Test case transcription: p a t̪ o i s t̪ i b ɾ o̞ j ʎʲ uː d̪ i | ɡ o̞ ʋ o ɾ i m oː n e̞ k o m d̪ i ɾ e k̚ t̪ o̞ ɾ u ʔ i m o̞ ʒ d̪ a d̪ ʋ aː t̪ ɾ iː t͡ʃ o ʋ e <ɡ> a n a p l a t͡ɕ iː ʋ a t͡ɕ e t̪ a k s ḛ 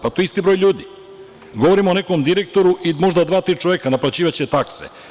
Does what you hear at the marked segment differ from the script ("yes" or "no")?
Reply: yes